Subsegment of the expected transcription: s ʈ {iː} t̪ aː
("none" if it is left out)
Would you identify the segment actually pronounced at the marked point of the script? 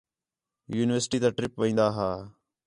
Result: iː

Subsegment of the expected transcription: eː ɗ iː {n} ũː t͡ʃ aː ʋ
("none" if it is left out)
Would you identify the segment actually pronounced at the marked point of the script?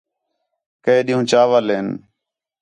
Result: none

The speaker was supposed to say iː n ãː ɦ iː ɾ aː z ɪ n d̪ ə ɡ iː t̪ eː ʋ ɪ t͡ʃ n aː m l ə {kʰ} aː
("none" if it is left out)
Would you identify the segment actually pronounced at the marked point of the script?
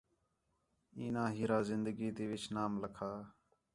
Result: kʰ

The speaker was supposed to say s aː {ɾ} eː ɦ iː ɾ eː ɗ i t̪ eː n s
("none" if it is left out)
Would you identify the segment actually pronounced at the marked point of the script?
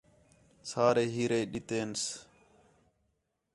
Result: ɾ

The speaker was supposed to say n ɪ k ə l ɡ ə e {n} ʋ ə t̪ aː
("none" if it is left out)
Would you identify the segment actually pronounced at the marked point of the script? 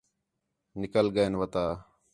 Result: n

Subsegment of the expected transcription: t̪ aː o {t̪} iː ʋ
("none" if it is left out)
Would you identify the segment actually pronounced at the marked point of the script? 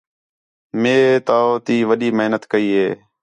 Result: t̪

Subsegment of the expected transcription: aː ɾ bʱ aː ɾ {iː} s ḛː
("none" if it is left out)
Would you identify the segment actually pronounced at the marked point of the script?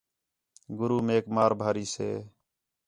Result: iː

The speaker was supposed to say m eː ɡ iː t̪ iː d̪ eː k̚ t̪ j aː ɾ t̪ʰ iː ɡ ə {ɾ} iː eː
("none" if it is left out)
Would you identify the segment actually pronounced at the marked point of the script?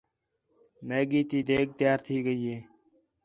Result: none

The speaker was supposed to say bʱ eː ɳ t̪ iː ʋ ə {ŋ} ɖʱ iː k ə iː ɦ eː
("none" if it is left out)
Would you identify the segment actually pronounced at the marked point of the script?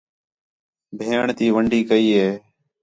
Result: ɳ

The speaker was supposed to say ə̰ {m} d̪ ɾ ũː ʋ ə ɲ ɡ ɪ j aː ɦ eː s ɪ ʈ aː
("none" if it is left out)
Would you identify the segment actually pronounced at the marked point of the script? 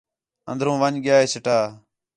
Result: n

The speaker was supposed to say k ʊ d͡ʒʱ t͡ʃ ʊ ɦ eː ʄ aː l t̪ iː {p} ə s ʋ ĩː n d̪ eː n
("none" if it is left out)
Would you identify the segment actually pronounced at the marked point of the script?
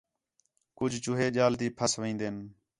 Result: pʰ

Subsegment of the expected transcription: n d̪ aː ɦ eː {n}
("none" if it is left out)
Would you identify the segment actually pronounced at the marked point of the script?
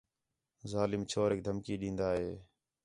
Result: none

